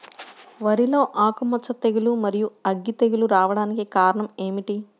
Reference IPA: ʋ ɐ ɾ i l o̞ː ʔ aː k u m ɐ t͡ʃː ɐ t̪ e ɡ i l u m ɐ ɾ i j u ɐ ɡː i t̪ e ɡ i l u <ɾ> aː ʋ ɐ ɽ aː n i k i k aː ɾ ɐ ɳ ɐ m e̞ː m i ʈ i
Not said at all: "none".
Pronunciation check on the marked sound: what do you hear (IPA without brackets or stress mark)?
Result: ɾ